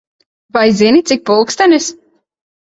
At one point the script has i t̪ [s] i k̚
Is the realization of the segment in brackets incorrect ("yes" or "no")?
no